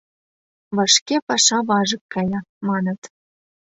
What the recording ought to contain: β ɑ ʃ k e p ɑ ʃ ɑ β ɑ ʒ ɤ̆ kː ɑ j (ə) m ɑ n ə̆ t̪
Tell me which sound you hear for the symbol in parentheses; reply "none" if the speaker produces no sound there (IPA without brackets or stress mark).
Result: ɑ